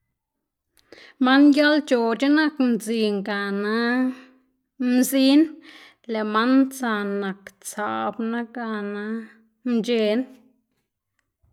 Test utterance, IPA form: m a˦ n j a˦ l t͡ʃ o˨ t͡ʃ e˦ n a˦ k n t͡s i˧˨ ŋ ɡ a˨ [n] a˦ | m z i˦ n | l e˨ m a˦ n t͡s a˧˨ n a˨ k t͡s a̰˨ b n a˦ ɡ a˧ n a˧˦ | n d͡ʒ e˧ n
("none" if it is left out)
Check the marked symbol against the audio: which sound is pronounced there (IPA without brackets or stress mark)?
n